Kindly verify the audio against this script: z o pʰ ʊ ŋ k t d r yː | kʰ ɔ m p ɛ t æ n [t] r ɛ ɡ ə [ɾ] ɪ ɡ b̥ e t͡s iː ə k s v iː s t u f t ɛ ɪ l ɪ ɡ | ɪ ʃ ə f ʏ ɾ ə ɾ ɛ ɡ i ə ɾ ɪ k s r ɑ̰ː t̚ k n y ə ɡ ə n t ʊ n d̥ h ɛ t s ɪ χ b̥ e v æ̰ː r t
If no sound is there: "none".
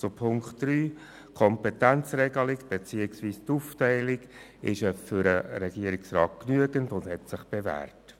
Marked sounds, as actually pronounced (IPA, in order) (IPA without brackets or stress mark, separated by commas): t͡s, l